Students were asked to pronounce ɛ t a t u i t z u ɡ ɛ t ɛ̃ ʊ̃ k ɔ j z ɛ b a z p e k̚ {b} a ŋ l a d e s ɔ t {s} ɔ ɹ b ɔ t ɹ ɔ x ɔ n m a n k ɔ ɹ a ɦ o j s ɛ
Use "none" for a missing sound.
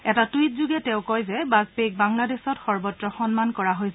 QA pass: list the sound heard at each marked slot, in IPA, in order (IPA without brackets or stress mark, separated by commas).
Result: b, x